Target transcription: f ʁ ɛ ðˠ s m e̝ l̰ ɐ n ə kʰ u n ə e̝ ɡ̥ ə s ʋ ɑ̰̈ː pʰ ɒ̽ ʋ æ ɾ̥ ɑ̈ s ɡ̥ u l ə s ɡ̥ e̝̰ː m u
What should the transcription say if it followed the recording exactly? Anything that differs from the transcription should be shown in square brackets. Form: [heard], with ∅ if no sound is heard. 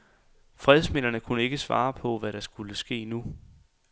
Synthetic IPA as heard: f ʁ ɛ ðˠ s m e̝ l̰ ɐ n ə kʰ u n ə e̝ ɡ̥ ə s ʋ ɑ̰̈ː pʰ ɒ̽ ʋ æ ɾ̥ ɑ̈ s ɡ̥ u l ə s ɡ̥ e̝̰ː [n] u